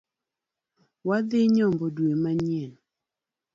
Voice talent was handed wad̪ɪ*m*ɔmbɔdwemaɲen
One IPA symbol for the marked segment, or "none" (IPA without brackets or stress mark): ɲ